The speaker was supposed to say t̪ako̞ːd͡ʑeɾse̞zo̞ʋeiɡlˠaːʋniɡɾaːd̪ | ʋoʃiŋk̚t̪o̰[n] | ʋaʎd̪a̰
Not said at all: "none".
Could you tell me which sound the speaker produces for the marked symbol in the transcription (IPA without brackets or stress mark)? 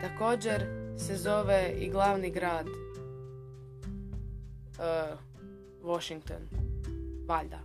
n